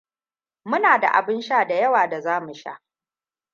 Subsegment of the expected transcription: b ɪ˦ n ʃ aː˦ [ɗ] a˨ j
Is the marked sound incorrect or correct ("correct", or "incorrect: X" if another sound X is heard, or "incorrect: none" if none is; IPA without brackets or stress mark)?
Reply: incorrect: d